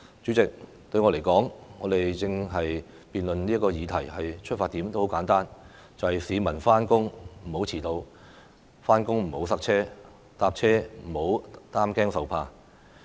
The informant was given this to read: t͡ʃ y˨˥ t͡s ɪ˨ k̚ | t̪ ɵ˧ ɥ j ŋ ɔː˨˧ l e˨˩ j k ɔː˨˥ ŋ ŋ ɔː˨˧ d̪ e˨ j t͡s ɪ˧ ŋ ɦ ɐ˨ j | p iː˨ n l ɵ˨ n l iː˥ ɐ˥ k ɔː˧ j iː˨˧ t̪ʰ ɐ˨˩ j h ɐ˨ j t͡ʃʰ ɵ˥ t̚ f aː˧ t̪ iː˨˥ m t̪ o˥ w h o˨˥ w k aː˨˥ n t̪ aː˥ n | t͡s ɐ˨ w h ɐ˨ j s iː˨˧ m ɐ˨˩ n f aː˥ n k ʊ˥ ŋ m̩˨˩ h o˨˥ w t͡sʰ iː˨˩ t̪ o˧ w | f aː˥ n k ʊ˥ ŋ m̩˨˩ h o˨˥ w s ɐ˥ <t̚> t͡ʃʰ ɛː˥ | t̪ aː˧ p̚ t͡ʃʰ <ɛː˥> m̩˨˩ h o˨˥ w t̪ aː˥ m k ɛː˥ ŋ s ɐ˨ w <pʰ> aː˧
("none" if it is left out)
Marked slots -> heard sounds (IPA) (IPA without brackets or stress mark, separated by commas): k̚, ɛː˥, pʰ